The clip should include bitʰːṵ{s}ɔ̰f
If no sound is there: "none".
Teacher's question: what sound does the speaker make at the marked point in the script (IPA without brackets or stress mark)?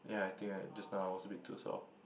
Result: s